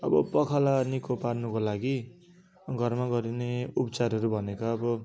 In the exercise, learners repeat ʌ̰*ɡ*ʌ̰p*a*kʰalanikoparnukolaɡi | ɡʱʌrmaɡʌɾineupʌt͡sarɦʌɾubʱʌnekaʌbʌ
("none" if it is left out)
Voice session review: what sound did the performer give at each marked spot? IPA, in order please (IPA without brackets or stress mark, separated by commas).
b, ʌ